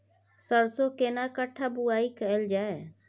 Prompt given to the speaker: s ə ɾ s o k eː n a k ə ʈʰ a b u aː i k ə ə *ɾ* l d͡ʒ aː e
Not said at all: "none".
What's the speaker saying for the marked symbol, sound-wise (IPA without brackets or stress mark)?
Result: none